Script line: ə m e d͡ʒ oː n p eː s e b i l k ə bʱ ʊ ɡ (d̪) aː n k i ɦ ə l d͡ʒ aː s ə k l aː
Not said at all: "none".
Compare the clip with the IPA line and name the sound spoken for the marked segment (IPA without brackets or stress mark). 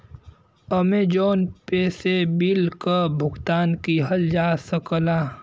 t̪